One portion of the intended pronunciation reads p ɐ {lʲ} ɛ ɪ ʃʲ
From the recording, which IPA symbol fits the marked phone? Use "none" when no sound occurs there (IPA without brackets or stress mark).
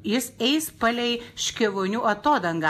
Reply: lʲ